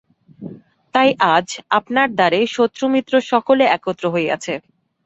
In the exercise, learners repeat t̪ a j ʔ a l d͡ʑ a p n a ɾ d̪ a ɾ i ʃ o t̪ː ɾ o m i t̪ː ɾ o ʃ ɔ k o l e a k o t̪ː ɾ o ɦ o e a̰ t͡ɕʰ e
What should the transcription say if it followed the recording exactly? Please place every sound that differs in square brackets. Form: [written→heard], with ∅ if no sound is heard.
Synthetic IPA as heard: t̪ a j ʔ a [l→∅] d͡ʑ a p n a ɾ d̪ a ɾ [i→e] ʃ o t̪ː ɾ o m i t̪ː ɾ o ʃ ɔ k o l e [a→ɛ] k o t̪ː ɾ o ɦ o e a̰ t͡ɕʰ e